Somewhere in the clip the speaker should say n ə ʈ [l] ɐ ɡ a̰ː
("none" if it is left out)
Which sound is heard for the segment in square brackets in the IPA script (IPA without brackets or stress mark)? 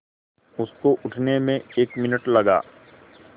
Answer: l